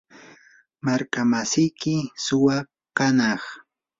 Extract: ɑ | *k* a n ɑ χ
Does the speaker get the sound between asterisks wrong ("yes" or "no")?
no